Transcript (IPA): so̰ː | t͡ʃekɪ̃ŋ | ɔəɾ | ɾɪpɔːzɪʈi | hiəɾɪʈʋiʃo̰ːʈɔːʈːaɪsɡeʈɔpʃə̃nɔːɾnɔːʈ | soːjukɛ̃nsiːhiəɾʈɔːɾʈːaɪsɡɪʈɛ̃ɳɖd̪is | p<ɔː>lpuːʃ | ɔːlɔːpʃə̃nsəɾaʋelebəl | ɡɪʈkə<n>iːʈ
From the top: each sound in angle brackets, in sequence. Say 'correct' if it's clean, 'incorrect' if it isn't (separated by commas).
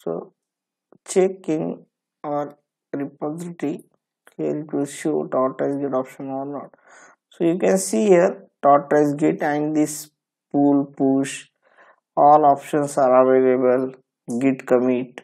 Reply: incorrect, incorrect